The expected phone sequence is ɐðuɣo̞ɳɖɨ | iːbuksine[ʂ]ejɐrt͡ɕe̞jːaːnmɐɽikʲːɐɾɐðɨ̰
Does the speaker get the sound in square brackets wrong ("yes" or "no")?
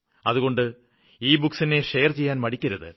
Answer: no